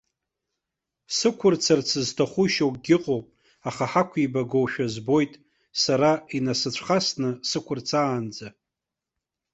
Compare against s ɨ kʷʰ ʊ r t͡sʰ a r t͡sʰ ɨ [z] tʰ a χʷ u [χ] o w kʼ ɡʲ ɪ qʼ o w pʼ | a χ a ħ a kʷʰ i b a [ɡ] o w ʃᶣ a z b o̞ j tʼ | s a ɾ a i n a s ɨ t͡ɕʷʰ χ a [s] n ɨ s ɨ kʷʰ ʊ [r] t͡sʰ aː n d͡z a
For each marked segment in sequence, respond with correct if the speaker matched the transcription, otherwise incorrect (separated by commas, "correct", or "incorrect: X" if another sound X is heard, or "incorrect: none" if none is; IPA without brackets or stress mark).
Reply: correct, incorrect: ʃ, correct, correct, correct